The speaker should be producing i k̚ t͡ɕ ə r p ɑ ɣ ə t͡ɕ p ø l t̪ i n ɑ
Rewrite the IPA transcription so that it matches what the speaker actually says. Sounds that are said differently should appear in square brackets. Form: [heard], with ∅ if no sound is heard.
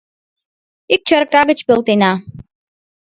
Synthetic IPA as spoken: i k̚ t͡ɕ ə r [k] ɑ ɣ ə t͡ɕ p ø l t̪ [e] n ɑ